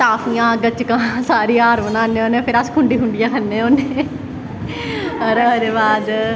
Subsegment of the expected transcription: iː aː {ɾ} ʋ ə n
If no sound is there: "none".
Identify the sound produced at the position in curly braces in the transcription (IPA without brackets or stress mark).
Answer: ɾ